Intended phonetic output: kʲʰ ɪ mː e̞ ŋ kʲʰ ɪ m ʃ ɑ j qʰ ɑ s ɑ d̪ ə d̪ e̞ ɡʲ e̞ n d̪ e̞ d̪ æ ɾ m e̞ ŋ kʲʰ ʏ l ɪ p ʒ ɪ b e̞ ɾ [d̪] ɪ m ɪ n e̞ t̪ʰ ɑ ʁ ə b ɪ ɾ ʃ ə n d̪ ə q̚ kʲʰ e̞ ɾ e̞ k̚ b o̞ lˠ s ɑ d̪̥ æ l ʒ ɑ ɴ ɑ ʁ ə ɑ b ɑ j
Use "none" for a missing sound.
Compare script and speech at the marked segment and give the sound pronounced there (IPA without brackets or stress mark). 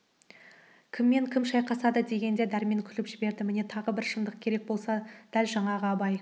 d̪